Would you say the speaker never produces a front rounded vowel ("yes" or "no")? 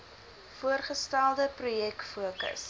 yes